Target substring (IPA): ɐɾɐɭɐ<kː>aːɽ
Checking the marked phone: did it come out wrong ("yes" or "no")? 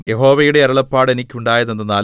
yes